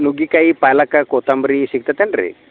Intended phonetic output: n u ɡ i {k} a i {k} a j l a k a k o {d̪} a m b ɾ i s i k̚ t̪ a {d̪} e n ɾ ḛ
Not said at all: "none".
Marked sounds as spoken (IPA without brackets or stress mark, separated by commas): k, p, t̪, t̪